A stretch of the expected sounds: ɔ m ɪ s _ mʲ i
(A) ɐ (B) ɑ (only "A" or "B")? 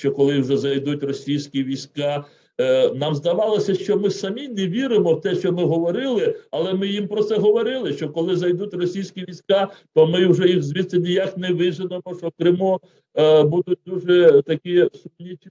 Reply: A